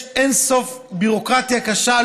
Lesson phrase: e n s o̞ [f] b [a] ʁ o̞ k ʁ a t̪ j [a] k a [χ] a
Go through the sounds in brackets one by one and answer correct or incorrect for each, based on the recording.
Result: correct, incorrect, correct, incorrect

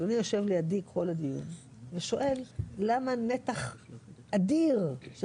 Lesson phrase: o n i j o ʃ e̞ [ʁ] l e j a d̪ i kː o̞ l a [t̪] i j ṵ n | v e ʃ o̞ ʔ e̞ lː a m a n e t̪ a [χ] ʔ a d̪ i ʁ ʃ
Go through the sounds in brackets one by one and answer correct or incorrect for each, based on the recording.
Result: incorrect, incorrect, correct

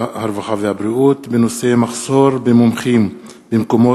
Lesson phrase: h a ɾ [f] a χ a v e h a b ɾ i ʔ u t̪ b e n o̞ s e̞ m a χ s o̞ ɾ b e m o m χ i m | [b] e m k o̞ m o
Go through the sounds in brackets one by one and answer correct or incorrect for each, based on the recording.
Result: incorrect, correct

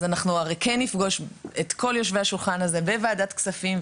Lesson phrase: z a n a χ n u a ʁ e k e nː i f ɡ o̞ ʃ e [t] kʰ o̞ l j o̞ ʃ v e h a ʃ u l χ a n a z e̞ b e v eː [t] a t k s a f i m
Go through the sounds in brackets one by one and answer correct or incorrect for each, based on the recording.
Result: correct, incorrect

